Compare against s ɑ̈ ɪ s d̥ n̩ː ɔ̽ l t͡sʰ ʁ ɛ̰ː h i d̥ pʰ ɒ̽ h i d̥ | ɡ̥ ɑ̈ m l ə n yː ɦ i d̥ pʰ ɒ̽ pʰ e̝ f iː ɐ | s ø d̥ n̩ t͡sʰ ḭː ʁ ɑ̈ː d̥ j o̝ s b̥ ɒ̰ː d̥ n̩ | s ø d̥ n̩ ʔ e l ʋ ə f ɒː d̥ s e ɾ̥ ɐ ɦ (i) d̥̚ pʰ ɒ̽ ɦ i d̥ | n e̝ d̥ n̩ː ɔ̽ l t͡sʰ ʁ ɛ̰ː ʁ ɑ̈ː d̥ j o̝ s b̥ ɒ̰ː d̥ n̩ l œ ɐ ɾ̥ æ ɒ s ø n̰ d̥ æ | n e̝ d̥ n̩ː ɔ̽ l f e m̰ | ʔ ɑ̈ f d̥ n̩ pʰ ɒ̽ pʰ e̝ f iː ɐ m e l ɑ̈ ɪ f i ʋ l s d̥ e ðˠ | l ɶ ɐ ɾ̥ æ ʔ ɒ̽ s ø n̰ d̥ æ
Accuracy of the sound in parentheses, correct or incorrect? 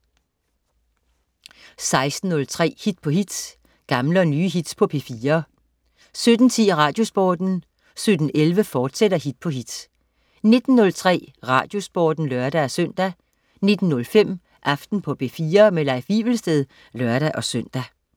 correct